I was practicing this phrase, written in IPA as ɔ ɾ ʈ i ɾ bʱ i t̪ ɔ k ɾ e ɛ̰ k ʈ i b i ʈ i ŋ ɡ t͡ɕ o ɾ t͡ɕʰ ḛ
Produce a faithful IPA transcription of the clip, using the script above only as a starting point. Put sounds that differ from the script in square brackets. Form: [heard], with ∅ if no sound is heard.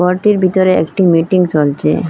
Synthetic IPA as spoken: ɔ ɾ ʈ i ɾ bʱ i t̪ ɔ [∅] ɾ e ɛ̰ k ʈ i [m] i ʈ i ŋ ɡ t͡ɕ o [l] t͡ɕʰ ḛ